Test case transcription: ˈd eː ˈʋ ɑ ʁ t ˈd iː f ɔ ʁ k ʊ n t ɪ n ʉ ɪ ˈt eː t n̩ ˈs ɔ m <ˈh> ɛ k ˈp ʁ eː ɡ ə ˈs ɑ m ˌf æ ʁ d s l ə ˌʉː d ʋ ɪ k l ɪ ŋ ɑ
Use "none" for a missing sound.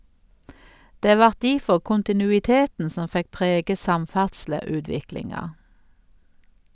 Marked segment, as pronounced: f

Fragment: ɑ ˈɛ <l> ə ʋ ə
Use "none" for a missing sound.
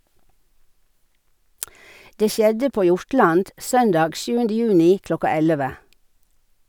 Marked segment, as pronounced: l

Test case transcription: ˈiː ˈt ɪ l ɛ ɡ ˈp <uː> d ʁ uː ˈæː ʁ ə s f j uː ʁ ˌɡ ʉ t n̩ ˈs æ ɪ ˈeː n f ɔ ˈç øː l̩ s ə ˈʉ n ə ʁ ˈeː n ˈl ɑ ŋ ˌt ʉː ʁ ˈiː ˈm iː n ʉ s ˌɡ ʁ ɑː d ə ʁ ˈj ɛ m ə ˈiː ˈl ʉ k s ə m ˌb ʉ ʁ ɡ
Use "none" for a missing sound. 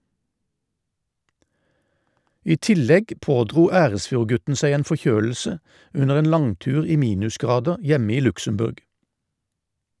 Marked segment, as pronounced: oː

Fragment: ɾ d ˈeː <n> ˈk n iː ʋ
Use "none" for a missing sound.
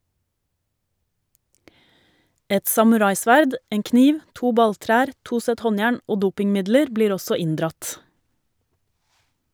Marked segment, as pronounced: ŋ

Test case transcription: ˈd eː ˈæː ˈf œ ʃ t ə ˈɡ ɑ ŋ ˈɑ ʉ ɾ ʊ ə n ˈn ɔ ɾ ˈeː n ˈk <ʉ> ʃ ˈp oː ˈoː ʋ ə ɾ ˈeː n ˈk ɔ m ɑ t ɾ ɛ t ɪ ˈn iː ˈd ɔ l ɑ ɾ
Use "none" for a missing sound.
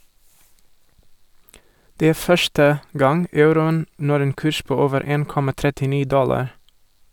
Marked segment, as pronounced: ʉː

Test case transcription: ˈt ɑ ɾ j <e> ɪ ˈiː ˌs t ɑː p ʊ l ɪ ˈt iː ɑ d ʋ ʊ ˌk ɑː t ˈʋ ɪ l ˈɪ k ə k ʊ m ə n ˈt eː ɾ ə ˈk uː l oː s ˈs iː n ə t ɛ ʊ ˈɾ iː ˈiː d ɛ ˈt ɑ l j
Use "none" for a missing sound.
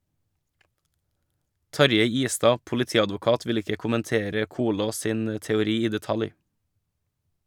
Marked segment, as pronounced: e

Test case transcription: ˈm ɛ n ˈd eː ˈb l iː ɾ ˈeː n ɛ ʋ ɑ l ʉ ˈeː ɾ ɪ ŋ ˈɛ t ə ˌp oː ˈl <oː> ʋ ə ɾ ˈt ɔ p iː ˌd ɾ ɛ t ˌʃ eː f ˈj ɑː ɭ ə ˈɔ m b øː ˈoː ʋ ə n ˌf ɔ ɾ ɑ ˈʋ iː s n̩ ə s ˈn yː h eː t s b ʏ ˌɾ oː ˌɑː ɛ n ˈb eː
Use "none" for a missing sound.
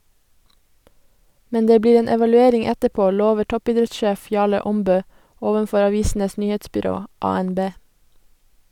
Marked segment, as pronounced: oː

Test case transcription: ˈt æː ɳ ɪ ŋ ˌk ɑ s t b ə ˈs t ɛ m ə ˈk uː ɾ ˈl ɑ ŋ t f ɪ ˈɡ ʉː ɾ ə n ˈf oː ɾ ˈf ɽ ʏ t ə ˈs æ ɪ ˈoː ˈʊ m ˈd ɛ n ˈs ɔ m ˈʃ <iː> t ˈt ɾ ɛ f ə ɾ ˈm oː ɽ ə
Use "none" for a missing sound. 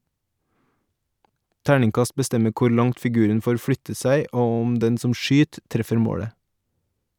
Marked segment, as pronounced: yː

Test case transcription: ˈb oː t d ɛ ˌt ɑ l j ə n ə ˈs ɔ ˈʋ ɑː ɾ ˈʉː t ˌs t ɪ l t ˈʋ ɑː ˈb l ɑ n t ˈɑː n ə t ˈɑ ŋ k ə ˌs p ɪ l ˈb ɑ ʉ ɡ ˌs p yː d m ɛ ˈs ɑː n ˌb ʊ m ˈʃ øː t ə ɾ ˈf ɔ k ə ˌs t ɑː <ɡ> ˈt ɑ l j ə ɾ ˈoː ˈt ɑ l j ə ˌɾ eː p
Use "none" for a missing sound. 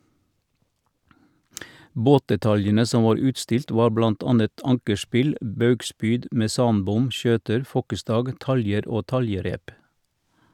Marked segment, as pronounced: ɡ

